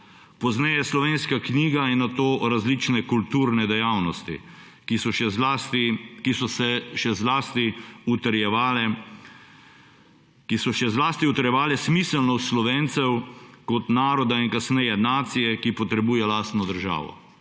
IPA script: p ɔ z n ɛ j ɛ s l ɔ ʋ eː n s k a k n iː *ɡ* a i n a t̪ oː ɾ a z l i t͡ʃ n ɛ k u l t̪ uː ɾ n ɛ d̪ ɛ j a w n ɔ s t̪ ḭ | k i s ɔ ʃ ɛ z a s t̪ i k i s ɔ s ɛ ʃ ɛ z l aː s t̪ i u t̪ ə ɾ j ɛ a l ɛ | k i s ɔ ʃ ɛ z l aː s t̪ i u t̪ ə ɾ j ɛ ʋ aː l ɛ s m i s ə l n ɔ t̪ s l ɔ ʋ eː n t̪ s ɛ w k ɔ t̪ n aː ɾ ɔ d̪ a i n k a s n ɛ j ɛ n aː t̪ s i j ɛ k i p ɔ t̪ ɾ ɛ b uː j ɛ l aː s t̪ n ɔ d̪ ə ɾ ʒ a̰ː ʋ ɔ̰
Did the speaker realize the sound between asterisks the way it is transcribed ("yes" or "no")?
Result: yes